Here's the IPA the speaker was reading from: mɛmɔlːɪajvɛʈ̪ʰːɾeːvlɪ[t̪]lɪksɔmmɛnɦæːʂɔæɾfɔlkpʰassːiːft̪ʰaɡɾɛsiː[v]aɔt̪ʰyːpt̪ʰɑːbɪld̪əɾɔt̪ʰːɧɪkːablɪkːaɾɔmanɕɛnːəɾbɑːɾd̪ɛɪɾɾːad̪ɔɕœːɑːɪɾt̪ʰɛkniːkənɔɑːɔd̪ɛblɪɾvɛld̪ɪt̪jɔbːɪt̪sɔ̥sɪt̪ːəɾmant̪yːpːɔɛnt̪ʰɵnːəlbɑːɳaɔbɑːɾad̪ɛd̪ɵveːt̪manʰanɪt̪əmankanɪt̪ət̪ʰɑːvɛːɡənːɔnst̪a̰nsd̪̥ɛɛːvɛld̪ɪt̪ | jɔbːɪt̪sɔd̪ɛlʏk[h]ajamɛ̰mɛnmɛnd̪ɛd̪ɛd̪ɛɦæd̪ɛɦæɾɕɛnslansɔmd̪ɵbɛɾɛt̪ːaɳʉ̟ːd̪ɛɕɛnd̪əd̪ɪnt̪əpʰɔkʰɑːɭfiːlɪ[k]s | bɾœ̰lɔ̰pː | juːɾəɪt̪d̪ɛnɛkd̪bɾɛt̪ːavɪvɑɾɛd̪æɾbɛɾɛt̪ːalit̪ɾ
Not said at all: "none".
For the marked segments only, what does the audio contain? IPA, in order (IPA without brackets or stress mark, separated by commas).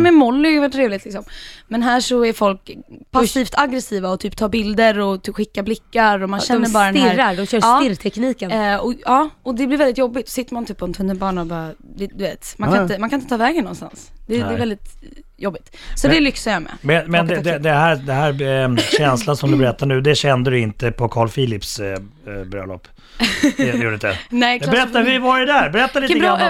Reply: t̪, v, s, p